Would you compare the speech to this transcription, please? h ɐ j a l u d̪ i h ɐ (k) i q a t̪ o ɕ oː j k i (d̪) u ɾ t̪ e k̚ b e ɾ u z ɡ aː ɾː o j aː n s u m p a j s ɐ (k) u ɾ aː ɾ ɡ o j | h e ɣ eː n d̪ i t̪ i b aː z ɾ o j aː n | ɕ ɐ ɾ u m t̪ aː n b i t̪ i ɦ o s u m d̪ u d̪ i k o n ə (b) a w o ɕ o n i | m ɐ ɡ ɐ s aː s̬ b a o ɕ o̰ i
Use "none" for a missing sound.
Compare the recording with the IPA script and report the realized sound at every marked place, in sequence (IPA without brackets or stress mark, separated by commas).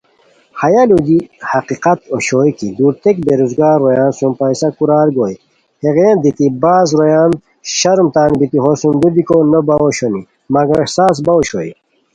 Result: q, d̪, k, b